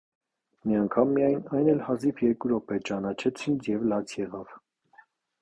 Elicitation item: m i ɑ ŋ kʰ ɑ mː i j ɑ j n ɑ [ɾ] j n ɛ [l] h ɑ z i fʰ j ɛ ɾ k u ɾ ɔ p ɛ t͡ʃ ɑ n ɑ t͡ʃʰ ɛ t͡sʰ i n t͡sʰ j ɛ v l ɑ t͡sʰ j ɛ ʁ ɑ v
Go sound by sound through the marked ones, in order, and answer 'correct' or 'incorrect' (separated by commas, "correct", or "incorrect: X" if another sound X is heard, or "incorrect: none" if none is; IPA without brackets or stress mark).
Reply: incorrect: none, correct